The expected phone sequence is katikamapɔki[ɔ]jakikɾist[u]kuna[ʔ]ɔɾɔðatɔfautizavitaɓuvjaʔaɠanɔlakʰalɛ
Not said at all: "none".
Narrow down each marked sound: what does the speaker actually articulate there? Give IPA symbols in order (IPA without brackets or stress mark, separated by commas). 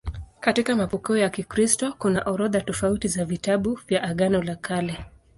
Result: ɔ, ɔ, ʔ